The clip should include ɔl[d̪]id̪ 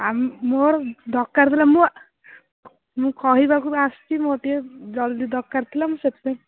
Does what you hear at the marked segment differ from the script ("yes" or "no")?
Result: no